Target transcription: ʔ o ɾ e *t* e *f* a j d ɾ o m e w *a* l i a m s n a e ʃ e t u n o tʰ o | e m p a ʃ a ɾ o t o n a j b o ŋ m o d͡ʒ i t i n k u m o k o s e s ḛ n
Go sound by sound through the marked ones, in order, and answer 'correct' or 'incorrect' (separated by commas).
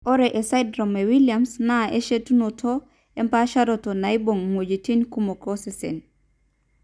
incorrect, incorrect, incorrect